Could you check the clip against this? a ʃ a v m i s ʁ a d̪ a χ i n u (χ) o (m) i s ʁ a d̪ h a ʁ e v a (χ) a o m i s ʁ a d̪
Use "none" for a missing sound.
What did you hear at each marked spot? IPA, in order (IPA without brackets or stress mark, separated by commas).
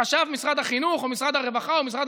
χ, m, χ